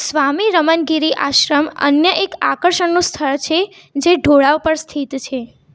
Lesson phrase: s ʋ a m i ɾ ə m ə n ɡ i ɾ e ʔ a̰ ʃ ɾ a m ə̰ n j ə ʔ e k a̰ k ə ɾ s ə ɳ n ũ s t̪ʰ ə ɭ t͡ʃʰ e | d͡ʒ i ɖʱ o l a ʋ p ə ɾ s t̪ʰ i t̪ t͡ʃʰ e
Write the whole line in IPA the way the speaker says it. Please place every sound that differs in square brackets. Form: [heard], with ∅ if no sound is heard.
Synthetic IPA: s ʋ a m i ɾ ə m ə n ɡ i ɾ [i] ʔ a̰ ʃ ɾ [ə] m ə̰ n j ə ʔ e k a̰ k ə ɾ [ʃ] ə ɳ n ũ s t̪ʰ ə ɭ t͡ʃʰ e | d͡ʒ [e] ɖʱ o [ɭ] a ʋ p ə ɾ s t̪ʰ i t̪ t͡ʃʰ e